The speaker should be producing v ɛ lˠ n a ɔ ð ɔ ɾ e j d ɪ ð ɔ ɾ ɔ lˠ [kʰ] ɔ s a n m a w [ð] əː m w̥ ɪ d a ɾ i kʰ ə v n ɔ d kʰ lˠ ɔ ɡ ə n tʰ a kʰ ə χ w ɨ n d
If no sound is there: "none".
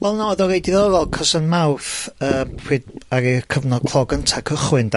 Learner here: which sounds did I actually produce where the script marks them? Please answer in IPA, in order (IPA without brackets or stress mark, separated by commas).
kʰ, θ